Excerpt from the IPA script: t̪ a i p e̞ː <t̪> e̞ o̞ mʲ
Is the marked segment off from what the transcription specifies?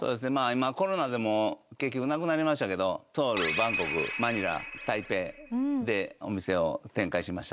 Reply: yes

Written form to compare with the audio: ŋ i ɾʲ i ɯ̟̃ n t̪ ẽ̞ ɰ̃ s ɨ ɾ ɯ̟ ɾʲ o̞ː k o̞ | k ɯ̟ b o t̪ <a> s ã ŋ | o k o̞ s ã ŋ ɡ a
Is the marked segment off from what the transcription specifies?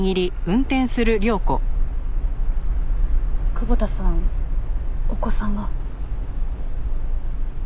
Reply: no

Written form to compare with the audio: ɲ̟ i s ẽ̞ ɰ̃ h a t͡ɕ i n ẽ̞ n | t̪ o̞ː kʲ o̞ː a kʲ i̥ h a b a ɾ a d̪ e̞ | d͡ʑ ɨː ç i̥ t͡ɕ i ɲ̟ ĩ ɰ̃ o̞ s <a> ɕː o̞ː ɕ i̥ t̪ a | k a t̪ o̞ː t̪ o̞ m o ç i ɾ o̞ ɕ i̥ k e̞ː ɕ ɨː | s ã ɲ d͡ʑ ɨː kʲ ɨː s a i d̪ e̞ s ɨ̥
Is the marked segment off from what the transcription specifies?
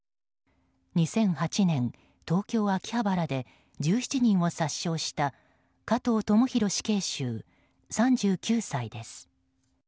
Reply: no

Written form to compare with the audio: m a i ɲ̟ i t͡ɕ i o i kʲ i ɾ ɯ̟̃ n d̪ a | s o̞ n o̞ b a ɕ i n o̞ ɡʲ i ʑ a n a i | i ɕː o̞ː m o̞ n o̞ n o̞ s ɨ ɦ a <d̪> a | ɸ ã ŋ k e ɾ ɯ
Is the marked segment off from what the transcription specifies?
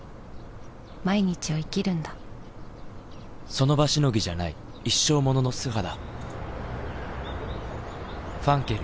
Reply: no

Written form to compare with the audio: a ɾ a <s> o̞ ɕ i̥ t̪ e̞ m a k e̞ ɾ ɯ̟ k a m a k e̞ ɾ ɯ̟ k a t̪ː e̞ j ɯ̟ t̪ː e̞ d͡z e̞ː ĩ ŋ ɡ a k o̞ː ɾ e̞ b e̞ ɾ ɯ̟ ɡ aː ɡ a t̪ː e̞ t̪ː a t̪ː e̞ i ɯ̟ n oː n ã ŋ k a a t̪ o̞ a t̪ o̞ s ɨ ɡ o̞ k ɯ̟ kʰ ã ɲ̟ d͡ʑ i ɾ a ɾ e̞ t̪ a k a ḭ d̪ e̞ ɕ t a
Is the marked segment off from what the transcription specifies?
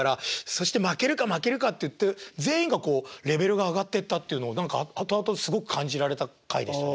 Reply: no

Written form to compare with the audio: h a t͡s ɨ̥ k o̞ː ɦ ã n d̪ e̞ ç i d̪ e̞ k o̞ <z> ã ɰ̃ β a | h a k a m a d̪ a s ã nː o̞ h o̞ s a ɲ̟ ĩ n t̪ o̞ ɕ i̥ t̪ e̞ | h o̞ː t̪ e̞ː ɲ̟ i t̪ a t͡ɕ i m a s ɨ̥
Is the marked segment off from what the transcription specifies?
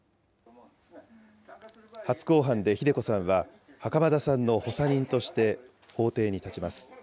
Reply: yes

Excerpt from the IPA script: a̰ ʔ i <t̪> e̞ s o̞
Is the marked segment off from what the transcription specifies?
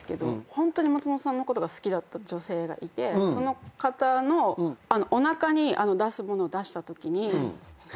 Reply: no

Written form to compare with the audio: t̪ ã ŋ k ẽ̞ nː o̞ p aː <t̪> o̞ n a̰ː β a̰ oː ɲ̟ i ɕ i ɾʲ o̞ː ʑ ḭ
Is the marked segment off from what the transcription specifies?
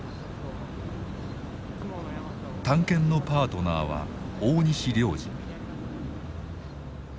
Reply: no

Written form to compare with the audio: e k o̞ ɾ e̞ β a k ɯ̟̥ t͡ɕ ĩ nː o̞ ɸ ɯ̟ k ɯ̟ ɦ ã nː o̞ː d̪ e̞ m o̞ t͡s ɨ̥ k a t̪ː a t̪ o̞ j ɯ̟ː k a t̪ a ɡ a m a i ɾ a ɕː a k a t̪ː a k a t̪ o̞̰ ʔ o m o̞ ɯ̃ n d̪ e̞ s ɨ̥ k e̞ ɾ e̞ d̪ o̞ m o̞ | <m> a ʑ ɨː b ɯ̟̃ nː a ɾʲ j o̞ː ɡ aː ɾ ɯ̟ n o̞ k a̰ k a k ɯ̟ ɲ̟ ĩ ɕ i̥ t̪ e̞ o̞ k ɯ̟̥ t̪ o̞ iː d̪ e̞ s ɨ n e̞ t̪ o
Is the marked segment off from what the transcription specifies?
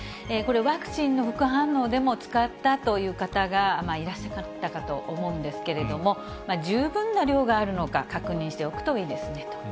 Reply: no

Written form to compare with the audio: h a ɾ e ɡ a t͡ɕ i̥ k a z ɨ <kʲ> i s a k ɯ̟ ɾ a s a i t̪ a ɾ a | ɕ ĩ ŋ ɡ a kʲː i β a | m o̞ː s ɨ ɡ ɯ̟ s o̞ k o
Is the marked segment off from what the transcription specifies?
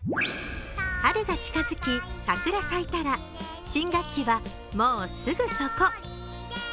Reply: no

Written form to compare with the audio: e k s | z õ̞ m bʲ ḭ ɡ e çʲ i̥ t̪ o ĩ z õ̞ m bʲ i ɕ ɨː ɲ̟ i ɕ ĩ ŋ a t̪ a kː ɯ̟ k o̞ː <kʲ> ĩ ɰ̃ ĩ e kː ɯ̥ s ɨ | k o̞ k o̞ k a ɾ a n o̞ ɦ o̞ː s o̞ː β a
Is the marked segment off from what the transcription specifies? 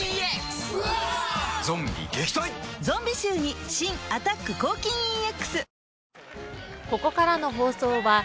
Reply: no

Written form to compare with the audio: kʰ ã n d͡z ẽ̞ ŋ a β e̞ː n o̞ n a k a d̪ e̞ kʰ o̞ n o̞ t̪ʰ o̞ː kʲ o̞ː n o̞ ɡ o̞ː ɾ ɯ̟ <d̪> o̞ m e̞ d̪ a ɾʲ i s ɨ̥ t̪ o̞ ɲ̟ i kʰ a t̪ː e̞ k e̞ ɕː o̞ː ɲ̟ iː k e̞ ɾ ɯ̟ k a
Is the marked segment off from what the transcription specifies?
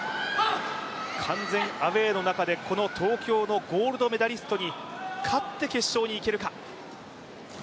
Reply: no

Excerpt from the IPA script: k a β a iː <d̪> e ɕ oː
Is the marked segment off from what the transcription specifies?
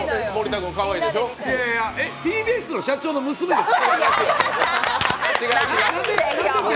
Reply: no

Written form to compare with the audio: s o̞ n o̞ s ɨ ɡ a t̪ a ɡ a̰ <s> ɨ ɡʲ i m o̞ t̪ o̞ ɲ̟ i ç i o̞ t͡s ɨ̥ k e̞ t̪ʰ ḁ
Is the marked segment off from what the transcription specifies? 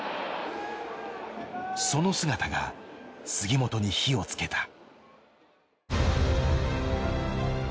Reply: no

